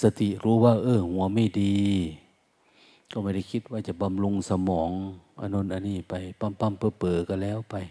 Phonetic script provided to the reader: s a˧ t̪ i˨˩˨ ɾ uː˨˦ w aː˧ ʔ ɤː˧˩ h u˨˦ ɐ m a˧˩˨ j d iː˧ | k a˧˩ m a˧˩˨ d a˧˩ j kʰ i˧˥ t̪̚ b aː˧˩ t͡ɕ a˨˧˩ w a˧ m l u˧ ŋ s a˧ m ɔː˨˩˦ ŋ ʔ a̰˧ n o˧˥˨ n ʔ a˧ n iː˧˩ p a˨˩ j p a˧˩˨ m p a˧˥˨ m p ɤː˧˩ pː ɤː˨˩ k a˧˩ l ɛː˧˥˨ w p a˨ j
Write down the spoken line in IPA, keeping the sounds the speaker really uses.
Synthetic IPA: s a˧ t̪ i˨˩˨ ɾ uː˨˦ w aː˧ ʔ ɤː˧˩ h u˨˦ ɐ m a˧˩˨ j d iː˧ | k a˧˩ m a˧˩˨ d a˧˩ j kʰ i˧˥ t̪̚ w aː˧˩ t͡ɕ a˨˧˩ b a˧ m l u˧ ŋ s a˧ m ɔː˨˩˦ ŋ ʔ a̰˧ n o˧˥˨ n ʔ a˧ n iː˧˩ p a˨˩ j p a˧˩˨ m p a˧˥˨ m p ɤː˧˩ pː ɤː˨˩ k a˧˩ l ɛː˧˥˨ w p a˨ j